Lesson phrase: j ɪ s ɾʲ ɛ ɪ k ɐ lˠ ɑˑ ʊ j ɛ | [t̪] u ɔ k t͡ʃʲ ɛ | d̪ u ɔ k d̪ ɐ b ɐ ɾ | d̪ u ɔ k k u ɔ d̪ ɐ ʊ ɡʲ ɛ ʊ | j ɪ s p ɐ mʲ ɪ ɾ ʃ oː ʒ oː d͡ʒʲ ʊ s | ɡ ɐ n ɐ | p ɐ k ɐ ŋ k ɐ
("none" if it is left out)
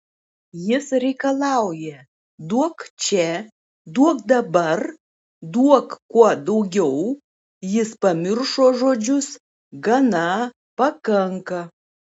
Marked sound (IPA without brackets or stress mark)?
d̪